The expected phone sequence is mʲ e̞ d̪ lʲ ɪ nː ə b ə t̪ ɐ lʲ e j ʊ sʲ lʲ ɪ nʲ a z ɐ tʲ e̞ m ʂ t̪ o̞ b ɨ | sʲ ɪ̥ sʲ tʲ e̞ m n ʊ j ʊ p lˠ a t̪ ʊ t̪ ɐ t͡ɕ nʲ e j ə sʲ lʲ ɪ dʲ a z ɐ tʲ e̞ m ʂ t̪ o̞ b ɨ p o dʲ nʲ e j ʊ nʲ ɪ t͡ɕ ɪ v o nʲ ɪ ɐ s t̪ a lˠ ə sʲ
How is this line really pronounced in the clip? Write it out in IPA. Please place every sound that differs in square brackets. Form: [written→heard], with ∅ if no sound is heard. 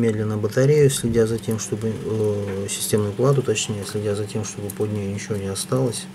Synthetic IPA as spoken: mʲ e̞ d̪ lʲ ɪ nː ə b ə t̪ ɐ [lʲ→ɾʲ] e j ʊ sʲ lʲ ɪ [nʲ→dʲ] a z ɐ tʲ e̞ m ʂ t̪ o̞ b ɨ | sʲ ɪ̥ sʲ tʲ e̞ m n ʊ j ʊ p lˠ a t̪ ʊ t̪ ɐ t͡ɕ nʲ e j ə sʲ lʲ ɪ dʲ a z ɐ tʲ e̞ m ʂ t̪ o̞ b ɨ p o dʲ nʲ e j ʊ nʲ ɪ t͡ɕ ɪ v o nʲ ɪ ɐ s t̪ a lˠ ə sʲ